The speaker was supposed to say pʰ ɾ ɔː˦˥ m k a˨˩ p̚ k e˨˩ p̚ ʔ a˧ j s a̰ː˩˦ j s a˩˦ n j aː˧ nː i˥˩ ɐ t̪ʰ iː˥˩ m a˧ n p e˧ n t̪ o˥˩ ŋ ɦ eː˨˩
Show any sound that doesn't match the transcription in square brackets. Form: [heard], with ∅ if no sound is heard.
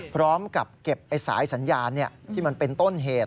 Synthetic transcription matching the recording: pʰ ɾ ɔː˦˥ m k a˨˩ p̚ k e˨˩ p̚ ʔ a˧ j s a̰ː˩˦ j s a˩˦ n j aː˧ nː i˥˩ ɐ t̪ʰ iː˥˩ m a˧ n p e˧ n t̪ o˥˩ [n] ɦ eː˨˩